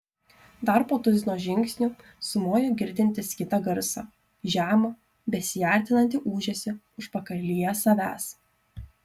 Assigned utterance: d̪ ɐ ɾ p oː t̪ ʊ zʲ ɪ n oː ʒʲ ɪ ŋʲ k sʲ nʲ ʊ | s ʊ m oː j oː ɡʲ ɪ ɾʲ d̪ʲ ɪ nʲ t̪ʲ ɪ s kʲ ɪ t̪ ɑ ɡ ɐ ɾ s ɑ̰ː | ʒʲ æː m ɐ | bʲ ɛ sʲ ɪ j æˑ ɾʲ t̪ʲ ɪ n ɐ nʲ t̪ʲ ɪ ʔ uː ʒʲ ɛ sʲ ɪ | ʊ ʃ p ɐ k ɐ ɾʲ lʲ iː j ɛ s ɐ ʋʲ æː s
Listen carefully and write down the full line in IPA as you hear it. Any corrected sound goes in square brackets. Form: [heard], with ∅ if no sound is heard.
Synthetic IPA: d̪ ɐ ɾ p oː t̪ ʊ zʲ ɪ n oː ʒʲ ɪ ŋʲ k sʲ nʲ ʊ | s ʊ m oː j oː ɡʲ ɪ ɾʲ d̪ʲ ɪ nʲ t̪ʲ ɪ s kʲ ɪ t̪ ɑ ɡ ɐ ɾ s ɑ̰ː | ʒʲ æː m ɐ | bʲ ɛ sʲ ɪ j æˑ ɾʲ t̪ʲ ɪ n ɐ nʲ t̪ʲ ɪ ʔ uː ʒʲ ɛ sʲ ɪ | ʊ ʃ p ɐ k ɐ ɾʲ lʲ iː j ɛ s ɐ ʋʲ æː s